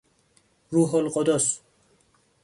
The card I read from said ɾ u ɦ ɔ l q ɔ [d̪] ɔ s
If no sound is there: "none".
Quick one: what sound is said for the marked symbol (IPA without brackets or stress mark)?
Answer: d̪